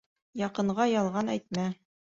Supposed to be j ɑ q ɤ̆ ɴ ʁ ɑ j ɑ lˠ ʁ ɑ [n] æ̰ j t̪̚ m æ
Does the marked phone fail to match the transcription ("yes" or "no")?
no